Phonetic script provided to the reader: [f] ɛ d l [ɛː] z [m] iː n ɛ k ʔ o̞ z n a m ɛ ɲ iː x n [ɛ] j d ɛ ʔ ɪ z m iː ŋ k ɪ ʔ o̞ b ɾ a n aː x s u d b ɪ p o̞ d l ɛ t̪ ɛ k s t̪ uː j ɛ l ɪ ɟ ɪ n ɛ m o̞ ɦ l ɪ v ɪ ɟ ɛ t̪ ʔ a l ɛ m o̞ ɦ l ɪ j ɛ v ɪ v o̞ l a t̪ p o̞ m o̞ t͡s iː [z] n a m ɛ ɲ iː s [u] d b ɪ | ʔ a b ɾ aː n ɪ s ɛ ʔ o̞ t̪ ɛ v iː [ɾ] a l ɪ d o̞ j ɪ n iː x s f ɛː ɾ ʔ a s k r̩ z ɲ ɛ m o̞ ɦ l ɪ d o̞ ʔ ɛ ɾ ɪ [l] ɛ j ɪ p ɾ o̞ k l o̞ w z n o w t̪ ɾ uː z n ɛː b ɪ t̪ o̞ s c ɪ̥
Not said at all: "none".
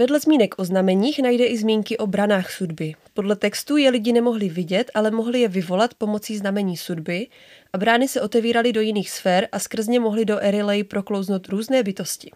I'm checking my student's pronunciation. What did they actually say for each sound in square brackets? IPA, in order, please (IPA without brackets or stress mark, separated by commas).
v, ɛ, m, a, z, u, ɾ, l